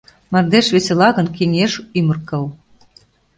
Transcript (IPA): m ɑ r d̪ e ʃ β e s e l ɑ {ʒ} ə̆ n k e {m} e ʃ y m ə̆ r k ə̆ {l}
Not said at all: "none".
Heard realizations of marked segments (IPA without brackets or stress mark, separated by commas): ɣ, ŋ, l